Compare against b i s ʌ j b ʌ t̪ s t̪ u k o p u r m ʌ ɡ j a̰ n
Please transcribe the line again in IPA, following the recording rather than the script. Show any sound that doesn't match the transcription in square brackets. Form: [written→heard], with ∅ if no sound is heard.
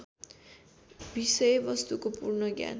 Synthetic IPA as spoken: b i s ʌ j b ʌ [t̪→∅] s t̪ u k o p u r [m→n] ʌ ɡ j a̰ n